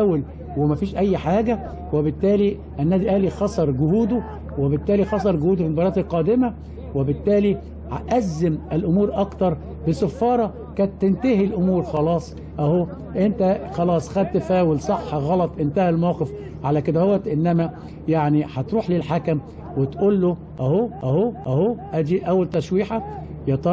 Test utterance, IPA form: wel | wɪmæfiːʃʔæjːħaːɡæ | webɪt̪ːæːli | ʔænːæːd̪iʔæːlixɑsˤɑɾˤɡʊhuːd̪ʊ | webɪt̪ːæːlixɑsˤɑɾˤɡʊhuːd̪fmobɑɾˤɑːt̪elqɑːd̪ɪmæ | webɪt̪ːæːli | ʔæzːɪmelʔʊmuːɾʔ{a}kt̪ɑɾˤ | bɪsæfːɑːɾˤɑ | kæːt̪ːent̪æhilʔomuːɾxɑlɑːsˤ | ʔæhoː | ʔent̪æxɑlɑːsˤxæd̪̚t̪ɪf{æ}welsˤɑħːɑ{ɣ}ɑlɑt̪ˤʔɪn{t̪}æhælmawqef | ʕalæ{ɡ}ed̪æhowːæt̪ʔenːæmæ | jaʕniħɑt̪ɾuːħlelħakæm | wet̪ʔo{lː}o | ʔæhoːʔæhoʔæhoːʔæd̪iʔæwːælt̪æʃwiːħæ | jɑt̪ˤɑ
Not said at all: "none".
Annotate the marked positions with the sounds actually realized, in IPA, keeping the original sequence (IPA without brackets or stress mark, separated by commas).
ɑ, æː, ɣ, t̪, k, lː